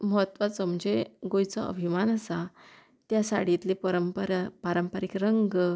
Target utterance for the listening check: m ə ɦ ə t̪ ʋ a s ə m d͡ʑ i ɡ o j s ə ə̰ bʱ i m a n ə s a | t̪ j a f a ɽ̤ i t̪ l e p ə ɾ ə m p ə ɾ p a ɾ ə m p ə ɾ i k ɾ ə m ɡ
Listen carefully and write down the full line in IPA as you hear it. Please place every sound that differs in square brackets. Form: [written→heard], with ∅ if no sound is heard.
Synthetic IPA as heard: m ə ɦ ə t̪ ʋ a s ə m d͡ʑ [i→e] ɡ o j [s→t͡s] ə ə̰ bʱ i m a n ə s a | t̪ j a [f→s] a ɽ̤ i t̪ l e p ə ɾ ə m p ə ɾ p a ɾ ə m p ə ɾ i k ɾ ə [m→ŋ] ɡ